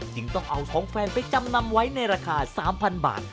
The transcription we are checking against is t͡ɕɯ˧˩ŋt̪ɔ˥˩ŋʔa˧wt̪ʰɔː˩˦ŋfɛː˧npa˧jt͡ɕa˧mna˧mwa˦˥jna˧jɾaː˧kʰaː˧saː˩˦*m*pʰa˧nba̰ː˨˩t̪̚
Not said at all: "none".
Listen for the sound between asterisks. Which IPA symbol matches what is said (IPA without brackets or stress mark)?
m